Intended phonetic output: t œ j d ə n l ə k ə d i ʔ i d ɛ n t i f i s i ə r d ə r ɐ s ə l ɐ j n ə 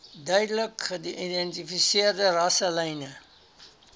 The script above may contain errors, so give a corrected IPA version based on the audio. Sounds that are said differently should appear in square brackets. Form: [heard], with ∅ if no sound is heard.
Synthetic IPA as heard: [d] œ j d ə [∅] l ə k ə d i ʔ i d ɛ n t i f i s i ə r d ə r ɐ s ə l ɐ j n ə